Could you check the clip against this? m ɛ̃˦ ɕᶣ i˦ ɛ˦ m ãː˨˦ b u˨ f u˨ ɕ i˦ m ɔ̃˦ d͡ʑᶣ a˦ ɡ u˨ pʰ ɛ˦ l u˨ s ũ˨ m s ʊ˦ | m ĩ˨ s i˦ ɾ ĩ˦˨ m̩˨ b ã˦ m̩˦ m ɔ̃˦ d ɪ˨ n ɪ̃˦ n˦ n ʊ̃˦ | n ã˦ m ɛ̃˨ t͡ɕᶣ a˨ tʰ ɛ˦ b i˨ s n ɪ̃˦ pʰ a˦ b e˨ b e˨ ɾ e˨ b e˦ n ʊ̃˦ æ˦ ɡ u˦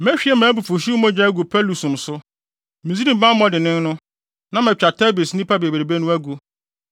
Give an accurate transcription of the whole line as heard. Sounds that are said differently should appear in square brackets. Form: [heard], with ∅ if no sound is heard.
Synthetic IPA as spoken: m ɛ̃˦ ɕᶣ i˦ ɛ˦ m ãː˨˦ b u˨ f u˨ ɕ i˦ m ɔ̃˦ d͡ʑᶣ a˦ ɡ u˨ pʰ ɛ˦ l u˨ s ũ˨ m s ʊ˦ | m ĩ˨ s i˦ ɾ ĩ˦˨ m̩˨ b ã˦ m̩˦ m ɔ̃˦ d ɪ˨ n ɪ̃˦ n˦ n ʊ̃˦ | n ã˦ m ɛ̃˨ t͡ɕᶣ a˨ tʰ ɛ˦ b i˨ s n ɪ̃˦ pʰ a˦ b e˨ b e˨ ɾ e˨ b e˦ n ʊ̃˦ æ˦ ɡ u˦

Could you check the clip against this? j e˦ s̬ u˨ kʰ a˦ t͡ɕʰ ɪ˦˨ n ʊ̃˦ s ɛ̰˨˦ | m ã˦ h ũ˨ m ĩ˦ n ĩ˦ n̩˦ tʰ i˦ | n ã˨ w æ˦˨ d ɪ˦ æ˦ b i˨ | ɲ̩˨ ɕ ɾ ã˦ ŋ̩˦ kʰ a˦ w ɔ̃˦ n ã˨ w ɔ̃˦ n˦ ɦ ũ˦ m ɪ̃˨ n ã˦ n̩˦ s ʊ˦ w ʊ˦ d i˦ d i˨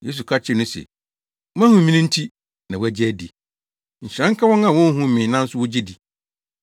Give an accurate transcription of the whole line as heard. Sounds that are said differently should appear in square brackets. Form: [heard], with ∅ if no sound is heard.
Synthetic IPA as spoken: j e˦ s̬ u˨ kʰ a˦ t͡ɕʰ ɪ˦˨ n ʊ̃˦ s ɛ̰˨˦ | m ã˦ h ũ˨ m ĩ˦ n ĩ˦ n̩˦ tʰ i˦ | n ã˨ w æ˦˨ [d͡ʑ] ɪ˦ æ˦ [d] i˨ | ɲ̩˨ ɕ ɾ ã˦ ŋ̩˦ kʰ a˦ w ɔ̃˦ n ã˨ w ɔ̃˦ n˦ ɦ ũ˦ m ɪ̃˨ n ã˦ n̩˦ s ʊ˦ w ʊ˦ [d͡ʑ] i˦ d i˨

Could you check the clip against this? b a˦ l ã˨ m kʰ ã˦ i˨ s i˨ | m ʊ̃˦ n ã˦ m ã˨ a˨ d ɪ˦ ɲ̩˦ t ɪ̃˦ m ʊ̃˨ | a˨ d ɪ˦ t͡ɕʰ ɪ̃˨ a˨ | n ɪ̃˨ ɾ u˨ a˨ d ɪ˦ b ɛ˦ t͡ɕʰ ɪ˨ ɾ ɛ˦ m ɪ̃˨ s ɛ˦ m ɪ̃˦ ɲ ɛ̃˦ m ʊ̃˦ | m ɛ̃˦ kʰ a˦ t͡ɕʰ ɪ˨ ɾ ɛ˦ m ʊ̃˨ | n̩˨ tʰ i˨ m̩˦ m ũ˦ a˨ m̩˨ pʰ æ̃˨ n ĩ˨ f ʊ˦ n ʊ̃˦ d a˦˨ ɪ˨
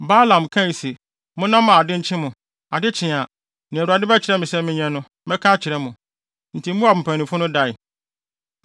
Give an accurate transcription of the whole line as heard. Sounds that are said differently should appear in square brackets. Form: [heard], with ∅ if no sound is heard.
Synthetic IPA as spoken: b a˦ l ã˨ m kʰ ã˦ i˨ s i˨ | m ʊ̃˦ n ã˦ m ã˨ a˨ d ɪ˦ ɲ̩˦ [t͡ɕʰ] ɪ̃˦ m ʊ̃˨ | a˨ d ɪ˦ t͡ɕʰ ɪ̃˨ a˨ | n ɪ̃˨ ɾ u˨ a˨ d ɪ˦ b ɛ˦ t͡ɕʰ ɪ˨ ɾ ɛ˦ m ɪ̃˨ s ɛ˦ m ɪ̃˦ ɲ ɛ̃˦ [n] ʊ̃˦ | m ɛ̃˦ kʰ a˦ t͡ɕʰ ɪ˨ ɾ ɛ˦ m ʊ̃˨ | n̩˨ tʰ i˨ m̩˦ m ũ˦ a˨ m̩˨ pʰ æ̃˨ n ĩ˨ f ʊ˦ n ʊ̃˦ d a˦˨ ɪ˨

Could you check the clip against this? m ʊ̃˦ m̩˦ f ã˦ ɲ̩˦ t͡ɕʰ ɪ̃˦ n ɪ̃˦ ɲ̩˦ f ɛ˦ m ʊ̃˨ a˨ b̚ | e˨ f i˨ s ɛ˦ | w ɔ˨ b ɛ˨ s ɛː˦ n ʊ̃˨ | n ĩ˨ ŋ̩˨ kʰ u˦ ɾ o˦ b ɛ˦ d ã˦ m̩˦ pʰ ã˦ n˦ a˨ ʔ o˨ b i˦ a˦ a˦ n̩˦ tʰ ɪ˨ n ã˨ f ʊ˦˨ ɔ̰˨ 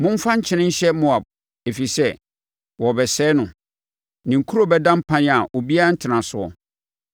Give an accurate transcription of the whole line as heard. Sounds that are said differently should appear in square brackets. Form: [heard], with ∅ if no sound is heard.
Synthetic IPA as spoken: m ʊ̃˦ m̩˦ f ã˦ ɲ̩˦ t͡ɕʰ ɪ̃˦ n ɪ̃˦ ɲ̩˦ [ɕ] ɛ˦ m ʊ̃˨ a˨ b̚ | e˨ f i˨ s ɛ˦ | w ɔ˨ b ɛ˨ s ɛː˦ n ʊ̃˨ | n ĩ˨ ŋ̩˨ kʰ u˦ ɾ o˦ b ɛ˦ d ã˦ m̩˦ pʰ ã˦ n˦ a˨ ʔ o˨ b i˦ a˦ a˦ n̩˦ tʰ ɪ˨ n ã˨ [s] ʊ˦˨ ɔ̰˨

